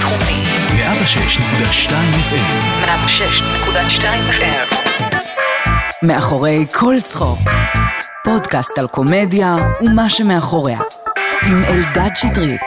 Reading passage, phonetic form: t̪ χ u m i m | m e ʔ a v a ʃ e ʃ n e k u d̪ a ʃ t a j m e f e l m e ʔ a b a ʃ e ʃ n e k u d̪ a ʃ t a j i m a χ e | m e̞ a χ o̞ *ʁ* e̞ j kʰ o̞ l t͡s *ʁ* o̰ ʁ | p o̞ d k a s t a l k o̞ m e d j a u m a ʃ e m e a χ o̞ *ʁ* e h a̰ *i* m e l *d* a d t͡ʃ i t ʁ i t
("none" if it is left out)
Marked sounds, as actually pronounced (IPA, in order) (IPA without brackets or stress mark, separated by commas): ʁ, χ, ʁ, i, d